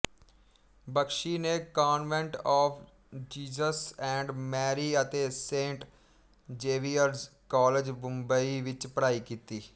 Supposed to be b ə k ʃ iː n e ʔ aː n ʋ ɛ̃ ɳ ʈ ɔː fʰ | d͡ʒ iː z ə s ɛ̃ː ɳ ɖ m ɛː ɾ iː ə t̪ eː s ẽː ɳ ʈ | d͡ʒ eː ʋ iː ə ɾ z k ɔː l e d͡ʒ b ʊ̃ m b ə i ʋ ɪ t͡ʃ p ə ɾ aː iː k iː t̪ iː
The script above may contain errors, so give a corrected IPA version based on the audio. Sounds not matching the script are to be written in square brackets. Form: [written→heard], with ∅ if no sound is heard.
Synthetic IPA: b ə k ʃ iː n e [ʔ→k] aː n ʋ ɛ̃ ɳ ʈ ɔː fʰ | d͡ʒ iː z ə s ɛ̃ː ɳ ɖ m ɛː ɾ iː ə t̪ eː s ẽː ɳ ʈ | d͡ʒ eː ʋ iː ə ɾ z k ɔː l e d͡ʒ b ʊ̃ m b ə i ʋ ɪ t͡ʃ p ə ɾ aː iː k iː t̪ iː